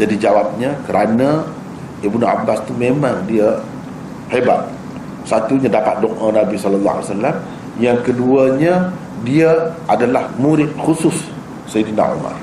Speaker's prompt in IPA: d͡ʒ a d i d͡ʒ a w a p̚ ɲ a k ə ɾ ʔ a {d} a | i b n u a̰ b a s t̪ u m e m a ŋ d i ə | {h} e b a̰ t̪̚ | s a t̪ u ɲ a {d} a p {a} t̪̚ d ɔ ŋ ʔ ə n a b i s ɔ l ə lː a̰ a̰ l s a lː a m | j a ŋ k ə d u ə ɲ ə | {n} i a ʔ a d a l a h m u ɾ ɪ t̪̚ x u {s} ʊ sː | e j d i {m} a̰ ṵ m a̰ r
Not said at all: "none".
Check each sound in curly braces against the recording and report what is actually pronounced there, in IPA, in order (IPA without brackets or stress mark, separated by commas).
n, h, d, a, d, s, n